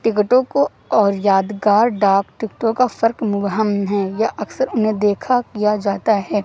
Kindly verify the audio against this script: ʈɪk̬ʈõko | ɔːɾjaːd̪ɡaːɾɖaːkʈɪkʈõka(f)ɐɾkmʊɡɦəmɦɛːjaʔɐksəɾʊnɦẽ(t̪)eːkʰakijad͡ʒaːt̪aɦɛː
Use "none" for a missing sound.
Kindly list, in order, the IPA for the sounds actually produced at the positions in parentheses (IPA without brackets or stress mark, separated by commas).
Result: f, d̪